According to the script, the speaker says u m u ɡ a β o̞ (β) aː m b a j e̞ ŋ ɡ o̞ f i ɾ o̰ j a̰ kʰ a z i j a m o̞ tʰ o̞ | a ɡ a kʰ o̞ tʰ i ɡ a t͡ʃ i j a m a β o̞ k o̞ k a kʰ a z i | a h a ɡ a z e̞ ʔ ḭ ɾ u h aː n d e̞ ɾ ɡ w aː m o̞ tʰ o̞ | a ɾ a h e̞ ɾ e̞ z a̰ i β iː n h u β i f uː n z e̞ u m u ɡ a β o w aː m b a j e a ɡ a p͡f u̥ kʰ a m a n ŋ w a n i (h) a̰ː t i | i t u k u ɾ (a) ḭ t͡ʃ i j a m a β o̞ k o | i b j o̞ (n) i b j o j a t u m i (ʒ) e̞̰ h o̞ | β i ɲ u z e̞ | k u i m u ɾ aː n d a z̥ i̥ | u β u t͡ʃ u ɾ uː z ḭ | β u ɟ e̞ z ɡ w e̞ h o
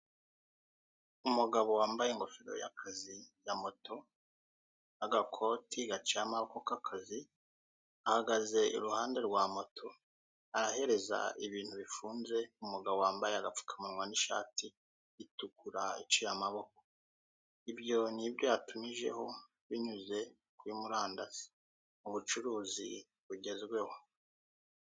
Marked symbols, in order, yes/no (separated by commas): no, no, yes, yes, yes